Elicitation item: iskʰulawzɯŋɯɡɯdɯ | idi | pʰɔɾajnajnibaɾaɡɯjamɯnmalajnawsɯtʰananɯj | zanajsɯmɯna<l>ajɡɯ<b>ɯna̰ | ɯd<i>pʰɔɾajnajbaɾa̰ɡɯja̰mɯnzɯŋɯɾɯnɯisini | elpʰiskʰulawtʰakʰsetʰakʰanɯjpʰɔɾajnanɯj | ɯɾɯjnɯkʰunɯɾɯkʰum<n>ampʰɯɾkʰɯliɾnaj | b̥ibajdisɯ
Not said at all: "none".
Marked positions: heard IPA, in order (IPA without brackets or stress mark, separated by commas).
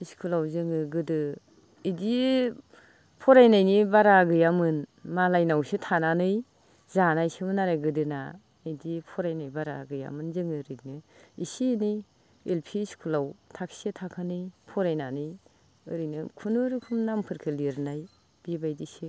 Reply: ɾ, d, i, n